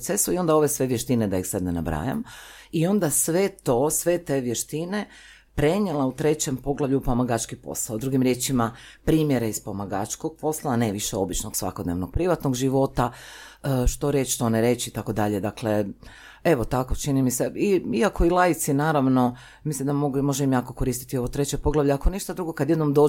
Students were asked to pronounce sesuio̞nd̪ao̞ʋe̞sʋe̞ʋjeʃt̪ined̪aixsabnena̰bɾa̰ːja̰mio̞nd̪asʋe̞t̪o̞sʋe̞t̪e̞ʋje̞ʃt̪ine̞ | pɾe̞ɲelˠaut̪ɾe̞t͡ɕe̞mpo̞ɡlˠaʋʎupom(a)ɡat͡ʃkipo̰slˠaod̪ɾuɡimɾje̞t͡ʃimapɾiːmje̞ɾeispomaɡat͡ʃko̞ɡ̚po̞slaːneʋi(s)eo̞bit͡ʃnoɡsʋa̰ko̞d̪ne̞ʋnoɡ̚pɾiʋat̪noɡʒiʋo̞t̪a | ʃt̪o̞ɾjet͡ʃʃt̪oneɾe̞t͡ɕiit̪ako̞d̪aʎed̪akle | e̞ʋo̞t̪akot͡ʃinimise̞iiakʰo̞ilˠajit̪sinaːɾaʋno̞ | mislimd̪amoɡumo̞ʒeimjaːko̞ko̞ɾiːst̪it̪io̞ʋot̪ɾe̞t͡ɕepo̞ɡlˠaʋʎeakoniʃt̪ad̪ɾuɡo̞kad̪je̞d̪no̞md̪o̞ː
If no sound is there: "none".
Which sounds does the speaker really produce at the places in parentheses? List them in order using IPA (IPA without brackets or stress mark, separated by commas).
a, ʃ